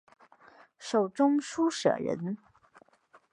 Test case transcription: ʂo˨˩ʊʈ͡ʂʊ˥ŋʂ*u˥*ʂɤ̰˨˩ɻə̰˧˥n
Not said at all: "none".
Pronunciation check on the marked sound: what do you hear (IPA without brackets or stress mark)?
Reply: u˥